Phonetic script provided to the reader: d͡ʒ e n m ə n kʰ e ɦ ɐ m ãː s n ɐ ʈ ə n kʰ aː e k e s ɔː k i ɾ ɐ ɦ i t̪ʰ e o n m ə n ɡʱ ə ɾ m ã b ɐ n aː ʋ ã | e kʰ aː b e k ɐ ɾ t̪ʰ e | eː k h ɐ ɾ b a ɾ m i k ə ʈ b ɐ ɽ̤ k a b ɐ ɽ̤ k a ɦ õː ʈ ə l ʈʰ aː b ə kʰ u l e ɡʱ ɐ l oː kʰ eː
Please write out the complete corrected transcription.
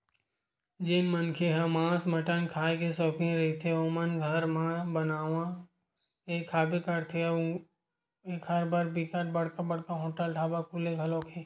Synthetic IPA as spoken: d͡ʒ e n m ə n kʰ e ɦ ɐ m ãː s m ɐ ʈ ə n kʰ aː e k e s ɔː k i ɾ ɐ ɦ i t̪ʰ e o m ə n ɡʱ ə ɾ m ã b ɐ n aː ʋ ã | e kʰ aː b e k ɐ ɾ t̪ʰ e | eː k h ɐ ɾ b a ɾ b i k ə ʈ b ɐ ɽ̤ k a b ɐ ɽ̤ k a ɦ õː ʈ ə l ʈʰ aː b a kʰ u l e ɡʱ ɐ l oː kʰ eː

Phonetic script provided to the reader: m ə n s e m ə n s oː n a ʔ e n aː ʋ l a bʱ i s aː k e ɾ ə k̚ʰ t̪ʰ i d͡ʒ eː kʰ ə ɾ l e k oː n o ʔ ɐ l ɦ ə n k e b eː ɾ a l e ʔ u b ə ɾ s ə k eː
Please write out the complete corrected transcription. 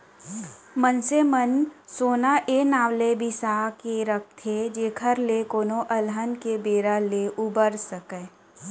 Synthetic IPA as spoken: m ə n s e m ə n s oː n a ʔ e n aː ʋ l e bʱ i s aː k e ɾ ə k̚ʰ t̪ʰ e d͡ʒ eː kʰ ə ɾ l e k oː n o ʔ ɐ l ɦ ə n k e b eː ɾ a l e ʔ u b ə ɾ s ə k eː

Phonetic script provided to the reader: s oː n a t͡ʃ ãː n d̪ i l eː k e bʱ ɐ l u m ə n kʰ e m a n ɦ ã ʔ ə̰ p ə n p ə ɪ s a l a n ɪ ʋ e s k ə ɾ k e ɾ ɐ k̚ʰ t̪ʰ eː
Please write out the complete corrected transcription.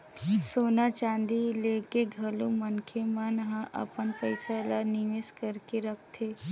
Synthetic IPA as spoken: s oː n a t͡ʃ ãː n d̪ i l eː k e ɡʱ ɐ l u m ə n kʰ e m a n ɦ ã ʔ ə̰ p ə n p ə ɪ s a l a n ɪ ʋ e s k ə ɾ k e ɾ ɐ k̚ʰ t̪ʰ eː

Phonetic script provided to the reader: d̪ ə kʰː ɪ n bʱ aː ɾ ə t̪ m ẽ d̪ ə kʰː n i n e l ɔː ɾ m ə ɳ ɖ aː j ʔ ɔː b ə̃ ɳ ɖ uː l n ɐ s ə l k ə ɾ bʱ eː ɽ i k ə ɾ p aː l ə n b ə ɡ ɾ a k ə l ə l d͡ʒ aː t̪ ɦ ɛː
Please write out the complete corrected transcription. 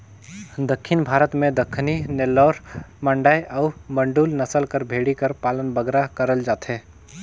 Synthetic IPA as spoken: d̪ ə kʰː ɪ n bʱ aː ɾ ə t̪ m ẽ d̪ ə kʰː n i n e l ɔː ɾ m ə ɳ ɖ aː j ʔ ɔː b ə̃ ɳ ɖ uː l n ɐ s ə l k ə ɾ bʱ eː ɽ i k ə ɾ p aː l ə n b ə ɡ ɾ a k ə ɾ ə l d͡ʒ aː t̪ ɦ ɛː

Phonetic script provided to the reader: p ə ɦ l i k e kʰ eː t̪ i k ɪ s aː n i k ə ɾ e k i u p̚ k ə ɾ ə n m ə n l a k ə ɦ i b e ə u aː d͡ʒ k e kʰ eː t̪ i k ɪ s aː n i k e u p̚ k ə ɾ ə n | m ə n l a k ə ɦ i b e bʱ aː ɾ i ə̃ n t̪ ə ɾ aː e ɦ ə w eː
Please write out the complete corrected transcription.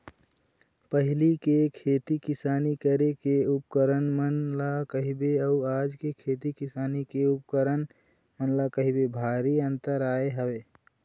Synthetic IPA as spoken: p ə ɦ l i k e kʰ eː t̪ i k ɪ s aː n i k ə ɾ e k e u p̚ k ə ɾ ə n m ə n l a k ə ɦ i b e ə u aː d͡ʒ k e kʰ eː t̪ i k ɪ s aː n i k e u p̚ k ə ɾ ə n | m ə n l a k ə ɦ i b e bʱ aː ɾ i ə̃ n t̪ ə ɾ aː e ɦ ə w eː

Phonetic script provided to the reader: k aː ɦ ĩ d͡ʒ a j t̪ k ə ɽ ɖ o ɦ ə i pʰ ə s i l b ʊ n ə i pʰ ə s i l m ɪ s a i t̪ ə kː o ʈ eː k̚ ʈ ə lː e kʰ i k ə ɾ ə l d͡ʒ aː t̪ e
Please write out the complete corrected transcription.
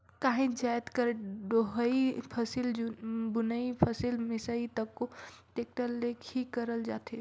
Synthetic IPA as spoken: k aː ɦ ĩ d͡ʒ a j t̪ k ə ɾ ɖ o ɦ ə i pʰ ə s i l b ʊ n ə i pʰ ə s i l m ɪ s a i t̪ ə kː o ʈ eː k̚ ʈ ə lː e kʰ i k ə ɾ ə l d͡ʒ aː t̪ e

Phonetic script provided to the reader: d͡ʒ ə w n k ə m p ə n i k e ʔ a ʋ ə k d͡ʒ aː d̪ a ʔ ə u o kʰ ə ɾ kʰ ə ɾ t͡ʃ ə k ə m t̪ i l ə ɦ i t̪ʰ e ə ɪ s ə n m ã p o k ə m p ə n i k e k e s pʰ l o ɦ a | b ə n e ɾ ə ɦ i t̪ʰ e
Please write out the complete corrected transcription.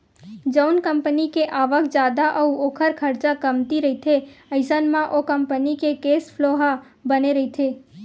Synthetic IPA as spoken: d͡ʒ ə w n k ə m p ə n i k e ʔ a ʋ ə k d͡ʒ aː d̪ a ʔ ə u o kʰ ə ɾ kʰ ə ɾ t͡ʃ a k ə m t̪ i ɾ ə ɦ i t̪ʰ e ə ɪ s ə n m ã ʔ o k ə m p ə n i k e k e s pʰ l o ɦ a | b ə n e ɾ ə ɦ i t̪ʰ e

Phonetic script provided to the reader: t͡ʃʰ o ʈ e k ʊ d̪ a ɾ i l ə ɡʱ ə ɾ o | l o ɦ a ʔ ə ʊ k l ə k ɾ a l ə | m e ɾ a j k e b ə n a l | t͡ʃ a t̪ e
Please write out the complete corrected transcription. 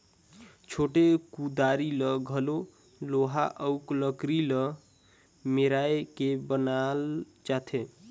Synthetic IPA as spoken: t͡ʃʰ o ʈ e k u d̪ a ɾ i l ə ɡʱ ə l o | l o ɦ a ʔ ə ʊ k l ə k ɾ i l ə | m e ɾ a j k e b ə n a l | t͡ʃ a t̪ʰ e

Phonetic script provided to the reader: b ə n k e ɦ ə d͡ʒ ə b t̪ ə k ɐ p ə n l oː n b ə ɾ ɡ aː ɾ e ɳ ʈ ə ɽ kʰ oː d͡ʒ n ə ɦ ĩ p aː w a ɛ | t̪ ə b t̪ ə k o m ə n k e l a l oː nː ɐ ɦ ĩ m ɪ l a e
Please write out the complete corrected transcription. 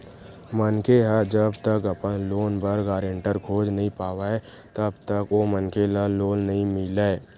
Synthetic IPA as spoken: m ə n k e ɦ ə d͡ʒ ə b t̪ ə k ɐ p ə n l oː n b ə ɾ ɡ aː ɾ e ɳ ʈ ə ɾ kʰ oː d͡ʒ n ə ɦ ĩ p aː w a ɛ | t̪ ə b t̪ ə k o m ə n k e l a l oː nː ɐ ɦ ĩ m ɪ l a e

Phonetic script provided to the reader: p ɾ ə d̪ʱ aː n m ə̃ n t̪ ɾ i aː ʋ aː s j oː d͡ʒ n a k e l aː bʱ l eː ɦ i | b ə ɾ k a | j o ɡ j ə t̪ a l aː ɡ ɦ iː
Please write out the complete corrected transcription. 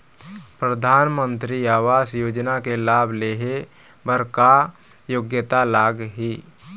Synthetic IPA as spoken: p ɾ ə d̪ʱ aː n m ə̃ n t̪ ɾ i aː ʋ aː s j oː d͡ʒ n a k e l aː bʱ l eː ɦ e | b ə ɾ k a | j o ɡ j ə t̪ a l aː ɡ ɦ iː

